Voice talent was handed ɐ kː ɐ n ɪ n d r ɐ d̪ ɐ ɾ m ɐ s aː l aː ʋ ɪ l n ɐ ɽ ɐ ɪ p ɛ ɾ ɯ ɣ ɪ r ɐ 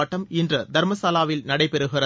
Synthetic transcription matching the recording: ɐ ʈː ɐ m ɪ n d r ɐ d̪ ɐ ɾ m ɐ s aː l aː ʋ ɪ l n ɐ ɽ ɐ ɪ p ɛ ɾ ɯ ɣ ɪ r ɐ

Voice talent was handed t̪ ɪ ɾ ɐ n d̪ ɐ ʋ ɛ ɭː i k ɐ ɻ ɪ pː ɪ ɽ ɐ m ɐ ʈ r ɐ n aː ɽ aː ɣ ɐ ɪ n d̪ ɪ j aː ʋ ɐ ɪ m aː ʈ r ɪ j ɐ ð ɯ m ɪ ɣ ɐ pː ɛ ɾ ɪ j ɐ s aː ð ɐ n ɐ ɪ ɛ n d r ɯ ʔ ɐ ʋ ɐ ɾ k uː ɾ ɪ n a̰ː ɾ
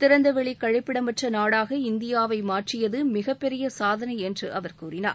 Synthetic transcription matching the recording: t̪ ɪ ɾ ɐ n d̪ ɐ ʋ ɛ ɭ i k ɐ ɻ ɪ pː ɪ ɽ ɐ m ɐ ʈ r ɐ n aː ɽ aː ɣ ɐ ɪ n d̪ ɪ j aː ʋ ɐ ɪ m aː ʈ r ɪ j ɐ ð ɯ m ɪ ɣ ɐ pː ɛ ɾ ɪ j ɐ s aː ð ɐ n ɐ ɪ ɛ n d r ɯ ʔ ɐ ʋ ɐ ɾ k uː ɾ ɪ n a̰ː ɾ

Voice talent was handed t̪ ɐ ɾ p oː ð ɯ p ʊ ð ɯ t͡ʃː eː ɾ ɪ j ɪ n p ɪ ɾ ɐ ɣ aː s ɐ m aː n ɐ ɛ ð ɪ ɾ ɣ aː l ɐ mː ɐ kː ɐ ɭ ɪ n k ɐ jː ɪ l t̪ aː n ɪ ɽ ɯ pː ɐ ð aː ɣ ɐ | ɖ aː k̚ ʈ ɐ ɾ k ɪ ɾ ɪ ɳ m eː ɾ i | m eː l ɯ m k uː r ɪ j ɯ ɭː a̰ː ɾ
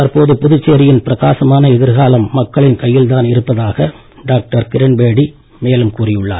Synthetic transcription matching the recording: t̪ ɐ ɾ p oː ð ɯ p ʊ ð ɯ t͡ʃː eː ɾ ɪ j ɪ n p ɪ ɾ ɐ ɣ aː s ɐ m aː n ɐ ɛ ð ɪ ɾ ɣ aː l ɐ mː ɐ kː ɐ ɭ ɪ n k ɐ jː ɪ l t̪ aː n ɪ ɾ ɯ pː ɐ ð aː ɣ ɐ | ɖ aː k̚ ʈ ɐ ɾ k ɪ ɾ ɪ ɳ b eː ɽ i | m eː l ɯ m k uː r ɪ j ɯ ɭː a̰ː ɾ

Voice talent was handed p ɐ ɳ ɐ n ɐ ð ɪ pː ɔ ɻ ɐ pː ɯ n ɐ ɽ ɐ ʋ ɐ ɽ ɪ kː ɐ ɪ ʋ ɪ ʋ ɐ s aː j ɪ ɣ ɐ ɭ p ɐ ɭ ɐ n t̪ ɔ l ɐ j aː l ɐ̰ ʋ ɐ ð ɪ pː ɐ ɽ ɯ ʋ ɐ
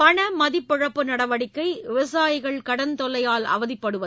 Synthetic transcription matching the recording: p ɐ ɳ ɐ m ɐ ð ɪ pː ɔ ɻ ɐ pː ɯ n ɐ ɽ ɐ ʋ ɐ ɽ ɪ kː ɐ ɪ ʋ ɪ ʋ ɐ s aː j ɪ ɣ ɐ ɭ k ɐ ɽ ɐ n t̪ ɔ l ɐ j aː l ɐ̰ ʋ ɐ ð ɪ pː ɐ ɽ ɯ ʋ ɐ

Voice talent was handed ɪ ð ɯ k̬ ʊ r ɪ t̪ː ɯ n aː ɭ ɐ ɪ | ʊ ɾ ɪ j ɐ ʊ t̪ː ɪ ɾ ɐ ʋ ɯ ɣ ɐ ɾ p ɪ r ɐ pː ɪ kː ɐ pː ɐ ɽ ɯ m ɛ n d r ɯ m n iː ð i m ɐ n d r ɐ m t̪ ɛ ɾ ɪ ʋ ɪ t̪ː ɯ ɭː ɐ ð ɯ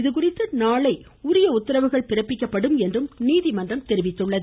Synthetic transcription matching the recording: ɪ ð ɯ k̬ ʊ r ɪ t̪ː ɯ n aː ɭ ɐ ɪ | ʊ ɾ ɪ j ɐ ʊ t̪ː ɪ ɾ ɐ ʋ ɯ ɣ ɐ ɭ p ɪ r ɐ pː ɪ kː ɐ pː ɐ ɽ ɯ m ɛ n d r ɯ m n iː ð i m ɐ n d r ɐ m t̪ ɛ ɾ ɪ ʋ ɪ t̪ː ɯ ɭː ɐ ð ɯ

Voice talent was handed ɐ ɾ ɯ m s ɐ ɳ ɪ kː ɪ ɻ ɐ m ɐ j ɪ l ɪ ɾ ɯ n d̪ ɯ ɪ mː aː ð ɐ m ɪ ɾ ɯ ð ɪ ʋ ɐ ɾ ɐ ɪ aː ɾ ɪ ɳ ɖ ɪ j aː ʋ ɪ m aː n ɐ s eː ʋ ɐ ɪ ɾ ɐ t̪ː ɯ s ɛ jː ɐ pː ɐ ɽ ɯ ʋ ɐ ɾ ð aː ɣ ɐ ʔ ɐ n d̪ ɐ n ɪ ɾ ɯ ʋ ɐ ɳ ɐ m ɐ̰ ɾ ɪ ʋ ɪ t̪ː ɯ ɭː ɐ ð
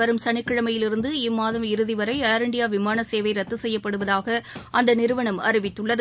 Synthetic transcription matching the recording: ɐ ɾ ɯ m s ɐ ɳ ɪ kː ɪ ɻ ɐ m ɐ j ɪ l ɪ ɾ ɯ n d̪ ɯ ɪ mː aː ð ɐ m ɪ ɾ ɯ ð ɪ ʋ ɐ ɾ ɐ ɪ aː ɾ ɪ ɳ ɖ ɪ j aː ʋ ɪ m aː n ɐ s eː ʋ ɐ ɪ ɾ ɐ t̪ː ɯ s ɛ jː ɐ pː ɐ ɽ ɯ ʋ ɐ ð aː ɣ ɐ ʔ ɐ n d̪ ɐ n ɪ ɾ ɯ ʋ ɐ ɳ ɐ m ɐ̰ ɾ ɪ ʋ ɪ t̪ː ɯ ɭː ɐ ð

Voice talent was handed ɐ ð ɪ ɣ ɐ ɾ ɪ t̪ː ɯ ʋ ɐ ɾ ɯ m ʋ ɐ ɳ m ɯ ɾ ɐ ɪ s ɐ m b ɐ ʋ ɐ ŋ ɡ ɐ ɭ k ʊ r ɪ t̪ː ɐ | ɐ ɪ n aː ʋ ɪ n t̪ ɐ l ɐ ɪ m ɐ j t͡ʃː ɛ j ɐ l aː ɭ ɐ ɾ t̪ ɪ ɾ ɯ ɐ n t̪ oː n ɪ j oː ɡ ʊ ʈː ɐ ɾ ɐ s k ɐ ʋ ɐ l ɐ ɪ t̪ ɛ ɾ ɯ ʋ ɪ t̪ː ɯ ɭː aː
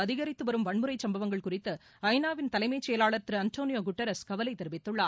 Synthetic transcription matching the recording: ɐ ð ɪ ɣ ɐ ɾ ɪ t̪ː ɯ ʋ ɐ ɾ ɯ m ʋ ɐ ɳ m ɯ ɾ ɐ ɪ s ɐ m b ɐ ʋ ɐ ŋ ɡ ɐ ɭ k ʊ r ɪ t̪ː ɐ | ɐ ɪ n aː ʋ ɪ n t̪ ɐ l ɐ ɪ m ɐ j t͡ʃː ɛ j ɐ l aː ɭ ɐ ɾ t̪ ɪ ɾ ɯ ɐ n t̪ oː n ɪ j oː ɡ ʊ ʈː ɐ ɾ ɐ s k ɐ ʋ ɐ l ɐ ɪ t̪ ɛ ɾ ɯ ʋ ɪ t̪ː ɯ ɭː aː

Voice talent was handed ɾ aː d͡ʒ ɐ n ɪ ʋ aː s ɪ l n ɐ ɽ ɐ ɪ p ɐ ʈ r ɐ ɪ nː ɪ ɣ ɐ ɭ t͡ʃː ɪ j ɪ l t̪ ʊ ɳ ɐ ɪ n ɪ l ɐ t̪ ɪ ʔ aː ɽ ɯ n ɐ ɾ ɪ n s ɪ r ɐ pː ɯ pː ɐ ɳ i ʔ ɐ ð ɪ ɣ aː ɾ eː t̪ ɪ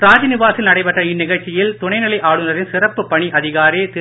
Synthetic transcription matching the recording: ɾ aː d͡ʒ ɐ n ɪ ʋ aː s ɪ l n ɐ ɽ ɐ ɪ p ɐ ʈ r ɐ ɪ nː ɪ ɣ ɐ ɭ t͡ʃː ɪ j ɪ l t̪ ʊ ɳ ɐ ɪ n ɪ l ɐ ɪ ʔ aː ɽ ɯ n ɐ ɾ ɪ n s ɪ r ɐ pː ɯ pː ɐ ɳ i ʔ ɐ ð ɪ ɣ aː ɾ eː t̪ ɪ

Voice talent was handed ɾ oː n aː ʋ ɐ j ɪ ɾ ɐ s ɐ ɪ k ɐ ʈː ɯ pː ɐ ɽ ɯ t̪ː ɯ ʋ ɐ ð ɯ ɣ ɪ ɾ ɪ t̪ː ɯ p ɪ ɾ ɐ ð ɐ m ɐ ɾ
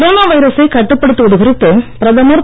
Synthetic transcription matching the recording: ɾ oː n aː ʋ ɐ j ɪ ɾ ɐ s ɐ ɪ k ɐ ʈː ɯ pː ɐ ɽ ɯ t̪ː ɯ ʋ ɐ ð ɯ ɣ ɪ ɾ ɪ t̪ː ɯ p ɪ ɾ ɐ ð ɐ m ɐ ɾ

